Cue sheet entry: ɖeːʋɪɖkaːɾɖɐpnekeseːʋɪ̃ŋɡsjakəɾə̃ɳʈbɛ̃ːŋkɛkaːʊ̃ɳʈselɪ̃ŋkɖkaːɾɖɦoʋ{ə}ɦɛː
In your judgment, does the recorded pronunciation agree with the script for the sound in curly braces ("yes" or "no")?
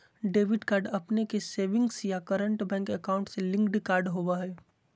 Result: no